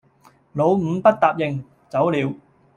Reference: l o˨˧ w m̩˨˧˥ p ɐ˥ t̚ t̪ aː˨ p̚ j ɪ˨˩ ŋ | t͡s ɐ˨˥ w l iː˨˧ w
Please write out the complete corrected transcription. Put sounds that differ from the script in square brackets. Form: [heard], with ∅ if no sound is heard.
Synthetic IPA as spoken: l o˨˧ w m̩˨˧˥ p ɐ˥ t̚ t̪ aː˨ p̚ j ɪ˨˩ ŋ | t͡s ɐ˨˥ w l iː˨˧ w